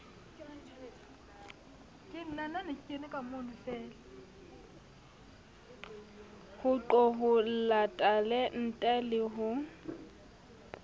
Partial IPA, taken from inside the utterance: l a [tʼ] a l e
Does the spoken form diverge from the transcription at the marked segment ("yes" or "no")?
no